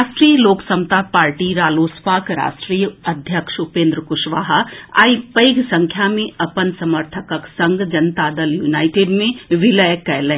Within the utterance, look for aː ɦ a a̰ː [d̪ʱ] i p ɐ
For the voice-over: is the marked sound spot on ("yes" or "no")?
no